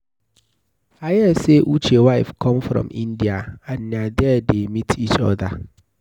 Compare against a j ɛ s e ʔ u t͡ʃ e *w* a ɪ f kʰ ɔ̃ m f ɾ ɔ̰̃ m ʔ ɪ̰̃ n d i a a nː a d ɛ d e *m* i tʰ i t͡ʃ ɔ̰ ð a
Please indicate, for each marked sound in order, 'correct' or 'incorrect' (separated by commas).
correct, correct